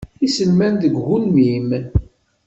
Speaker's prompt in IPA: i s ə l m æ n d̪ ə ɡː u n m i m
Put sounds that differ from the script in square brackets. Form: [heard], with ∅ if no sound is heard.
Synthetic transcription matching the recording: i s ə l m æ n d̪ ə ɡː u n m i m